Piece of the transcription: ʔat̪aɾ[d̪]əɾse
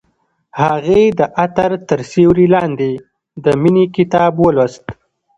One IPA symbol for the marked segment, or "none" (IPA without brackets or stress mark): t̪